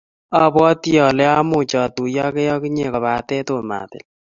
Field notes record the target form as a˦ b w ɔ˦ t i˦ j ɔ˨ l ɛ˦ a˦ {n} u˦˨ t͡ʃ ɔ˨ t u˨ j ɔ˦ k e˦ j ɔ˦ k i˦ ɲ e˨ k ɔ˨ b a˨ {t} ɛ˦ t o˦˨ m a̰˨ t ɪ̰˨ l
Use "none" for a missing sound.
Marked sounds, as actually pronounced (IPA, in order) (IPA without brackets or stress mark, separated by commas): m, t